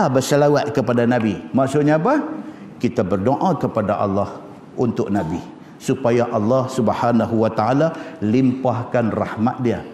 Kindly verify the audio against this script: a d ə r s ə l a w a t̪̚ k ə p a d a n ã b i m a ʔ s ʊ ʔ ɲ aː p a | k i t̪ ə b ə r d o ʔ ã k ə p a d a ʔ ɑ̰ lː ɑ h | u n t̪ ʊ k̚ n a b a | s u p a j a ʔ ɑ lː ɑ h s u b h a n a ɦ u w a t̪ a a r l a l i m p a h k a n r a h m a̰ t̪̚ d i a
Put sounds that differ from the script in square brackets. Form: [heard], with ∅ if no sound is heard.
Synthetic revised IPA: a [b] ə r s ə l a w a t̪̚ k ə p a d a n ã b i m a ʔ s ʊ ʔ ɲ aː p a | k i t̪ [a] b ə r d o ʔ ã k ə p a d a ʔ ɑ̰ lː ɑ h | u n t̪ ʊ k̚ n a b [i] | s u p a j a ʔ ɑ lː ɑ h s u b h a n a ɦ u w a t̪ a a [∅] l a l i m p a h k a n r a h m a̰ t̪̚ d i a